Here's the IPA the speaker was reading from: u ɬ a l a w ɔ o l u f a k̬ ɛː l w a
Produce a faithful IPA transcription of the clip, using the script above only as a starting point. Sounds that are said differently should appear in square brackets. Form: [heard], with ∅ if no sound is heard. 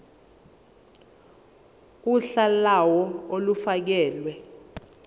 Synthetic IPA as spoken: u ɬ a l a w ɔ o l u f a k̬ ɛː l w [ɛ]